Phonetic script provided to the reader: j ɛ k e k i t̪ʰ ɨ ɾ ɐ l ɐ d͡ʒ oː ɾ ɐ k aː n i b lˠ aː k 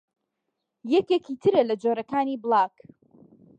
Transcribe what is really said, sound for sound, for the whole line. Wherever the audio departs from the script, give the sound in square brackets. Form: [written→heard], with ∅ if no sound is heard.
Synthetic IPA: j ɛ k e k i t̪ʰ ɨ ɾ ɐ l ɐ d͡ʒ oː ɾ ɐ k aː n i b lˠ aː k